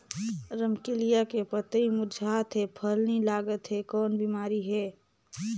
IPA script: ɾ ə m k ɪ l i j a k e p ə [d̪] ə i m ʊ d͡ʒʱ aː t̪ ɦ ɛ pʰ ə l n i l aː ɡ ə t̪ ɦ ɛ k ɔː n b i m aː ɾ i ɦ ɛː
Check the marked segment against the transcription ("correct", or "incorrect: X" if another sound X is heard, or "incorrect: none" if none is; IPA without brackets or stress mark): incorrect: t̪